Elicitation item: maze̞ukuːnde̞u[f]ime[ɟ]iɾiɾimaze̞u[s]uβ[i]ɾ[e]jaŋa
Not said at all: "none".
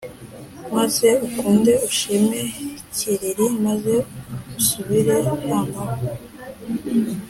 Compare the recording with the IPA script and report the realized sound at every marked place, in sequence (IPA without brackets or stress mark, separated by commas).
ʃ, c, s, i, e